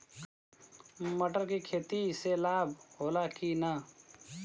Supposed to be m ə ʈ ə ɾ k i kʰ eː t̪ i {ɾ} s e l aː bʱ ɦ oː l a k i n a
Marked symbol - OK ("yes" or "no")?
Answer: no